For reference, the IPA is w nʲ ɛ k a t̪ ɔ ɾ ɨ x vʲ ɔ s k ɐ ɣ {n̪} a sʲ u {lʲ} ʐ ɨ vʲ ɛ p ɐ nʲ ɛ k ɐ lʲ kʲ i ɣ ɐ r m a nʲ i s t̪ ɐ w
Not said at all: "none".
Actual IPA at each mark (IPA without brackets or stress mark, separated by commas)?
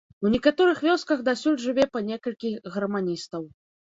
d̪, lʲ